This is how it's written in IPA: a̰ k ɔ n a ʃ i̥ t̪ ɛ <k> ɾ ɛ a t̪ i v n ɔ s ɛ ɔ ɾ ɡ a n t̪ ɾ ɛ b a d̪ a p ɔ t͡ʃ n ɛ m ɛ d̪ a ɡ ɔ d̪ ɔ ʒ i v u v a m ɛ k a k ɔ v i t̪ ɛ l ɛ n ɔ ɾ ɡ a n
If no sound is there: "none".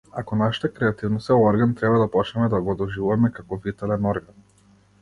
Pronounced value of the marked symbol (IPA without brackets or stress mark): k